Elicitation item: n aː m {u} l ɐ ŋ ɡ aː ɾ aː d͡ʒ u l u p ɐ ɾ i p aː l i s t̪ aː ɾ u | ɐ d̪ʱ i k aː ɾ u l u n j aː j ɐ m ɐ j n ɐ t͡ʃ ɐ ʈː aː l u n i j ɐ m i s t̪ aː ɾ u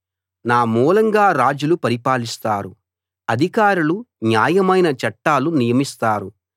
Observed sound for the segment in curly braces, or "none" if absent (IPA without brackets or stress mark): uː